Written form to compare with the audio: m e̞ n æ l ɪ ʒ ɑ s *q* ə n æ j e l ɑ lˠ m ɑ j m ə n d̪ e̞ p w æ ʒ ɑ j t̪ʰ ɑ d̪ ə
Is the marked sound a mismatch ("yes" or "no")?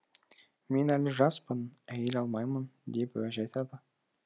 yes